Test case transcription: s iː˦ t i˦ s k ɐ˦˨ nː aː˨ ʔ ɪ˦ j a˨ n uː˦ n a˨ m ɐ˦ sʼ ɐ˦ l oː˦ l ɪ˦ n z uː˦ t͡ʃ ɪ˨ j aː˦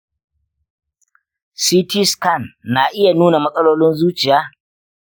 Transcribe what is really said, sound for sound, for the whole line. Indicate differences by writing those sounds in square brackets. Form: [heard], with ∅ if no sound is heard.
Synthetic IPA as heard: s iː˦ t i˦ s k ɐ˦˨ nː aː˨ ʔ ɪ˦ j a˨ n uː˦ n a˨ m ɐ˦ sʼ ɐ˦ l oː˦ l ɪ˦ n z uː˦ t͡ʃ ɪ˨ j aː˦